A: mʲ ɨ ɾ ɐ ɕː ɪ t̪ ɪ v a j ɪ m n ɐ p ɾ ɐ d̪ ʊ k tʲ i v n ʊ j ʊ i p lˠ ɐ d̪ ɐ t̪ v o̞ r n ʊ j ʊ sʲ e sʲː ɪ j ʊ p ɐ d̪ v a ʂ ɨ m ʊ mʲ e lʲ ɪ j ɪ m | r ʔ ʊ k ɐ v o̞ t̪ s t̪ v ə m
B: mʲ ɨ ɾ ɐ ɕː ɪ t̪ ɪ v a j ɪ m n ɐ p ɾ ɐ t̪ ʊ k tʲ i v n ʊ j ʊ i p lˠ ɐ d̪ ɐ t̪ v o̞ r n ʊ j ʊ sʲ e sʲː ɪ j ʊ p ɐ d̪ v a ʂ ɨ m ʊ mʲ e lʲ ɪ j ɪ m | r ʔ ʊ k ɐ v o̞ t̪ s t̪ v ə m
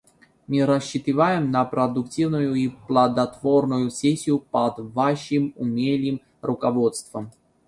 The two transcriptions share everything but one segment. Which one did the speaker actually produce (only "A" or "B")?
A